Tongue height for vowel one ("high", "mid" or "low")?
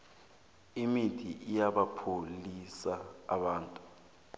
high